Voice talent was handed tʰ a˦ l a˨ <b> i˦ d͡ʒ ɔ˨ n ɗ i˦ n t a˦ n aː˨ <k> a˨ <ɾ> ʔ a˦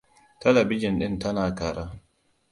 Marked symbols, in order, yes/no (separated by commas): yes, yes, yes